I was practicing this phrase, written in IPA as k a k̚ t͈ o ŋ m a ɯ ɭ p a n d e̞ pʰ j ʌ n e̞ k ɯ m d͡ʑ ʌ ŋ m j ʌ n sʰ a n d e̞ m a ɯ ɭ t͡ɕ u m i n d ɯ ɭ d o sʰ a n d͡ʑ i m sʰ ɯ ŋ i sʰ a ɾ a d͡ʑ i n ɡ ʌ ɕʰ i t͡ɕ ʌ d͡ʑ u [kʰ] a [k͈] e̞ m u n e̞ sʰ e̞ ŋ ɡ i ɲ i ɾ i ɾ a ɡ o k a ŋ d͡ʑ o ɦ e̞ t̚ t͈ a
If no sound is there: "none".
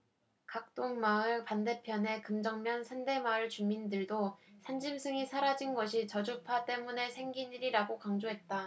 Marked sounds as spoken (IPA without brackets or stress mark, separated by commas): pʰ, t͈